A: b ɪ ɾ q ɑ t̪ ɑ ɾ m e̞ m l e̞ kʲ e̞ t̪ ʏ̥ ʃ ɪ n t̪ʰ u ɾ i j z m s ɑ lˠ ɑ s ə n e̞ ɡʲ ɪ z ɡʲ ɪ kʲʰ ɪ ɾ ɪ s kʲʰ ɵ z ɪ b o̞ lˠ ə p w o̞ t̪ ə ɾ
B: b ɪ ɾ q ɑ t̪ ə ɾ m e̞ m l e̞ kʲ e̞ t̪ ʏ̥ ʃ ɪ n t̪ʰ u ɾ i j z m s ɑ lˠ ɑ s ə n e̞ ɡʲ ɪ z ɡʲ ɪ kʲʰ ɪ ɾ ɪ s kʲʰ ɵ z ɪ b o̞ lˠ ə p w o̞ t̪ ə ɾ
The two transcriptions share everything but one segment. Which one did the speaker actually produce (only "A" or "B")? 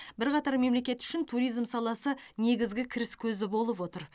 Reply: A